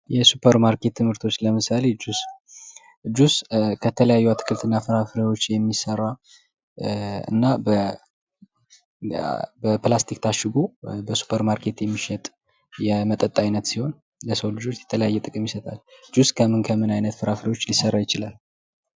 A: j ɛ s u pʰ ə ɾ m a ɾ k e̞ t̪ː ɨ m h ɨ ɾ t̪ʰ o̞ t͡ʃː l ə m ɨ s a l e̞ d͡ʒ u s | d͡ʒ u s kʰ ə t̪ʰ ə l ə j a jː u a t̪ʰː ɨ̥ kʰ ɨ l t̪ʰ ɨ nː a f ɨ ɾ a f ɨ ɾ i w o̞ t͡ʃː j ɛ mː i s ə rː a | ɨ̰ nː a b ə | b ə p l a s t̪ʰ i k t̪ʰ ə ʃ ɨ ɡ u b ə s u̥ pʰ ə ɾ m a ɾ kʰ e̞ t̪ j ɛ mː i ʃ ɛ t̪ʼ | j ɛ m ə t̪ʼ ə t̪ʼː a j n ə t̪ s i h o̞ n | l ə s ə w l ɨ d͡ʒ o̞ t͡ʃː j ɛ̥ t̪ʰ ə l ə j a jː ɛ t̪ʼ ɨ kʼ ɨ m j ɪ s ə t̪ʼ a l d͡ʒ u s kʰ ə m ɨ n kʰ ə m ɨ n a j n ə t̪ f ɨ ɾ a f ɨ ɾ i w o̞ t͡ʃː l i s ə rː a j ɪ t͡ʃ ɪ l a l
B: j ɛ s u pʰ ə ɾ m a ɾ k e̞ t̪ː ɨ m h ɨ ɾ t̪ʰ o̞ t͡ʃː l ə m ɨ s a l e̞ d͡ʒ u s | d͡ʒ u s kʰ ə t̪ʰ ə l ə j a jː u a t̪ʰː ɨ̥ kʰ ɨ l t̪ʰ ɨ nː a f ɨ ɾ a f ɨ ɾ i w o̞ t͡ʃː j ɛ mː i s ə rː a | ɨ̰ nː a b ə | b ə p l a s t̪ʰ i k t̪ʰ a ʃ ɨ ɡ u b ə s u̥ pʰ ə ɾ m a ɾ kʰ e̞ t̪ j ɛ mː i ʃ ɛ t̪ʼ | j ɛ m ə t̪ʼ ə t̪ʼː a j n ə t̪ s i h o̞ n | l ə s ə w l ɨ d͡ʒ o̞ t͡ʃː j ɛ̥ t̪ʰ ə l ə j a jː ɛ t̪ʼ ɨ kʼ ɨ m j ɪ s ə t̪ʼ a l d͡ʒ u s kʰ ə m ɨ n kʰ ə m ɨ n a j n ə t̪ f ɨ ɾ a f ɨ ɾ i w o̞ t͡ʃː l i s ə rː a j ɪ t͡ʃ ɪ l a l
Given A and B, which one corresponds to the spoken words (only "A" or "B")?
B